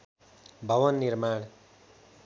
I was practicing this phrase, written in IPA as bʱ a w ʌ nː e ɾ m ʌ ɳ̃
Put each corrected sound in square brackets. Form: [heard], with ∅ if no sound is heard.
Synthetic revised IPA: bʱ [ʌ] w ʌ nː [i] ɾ m [a] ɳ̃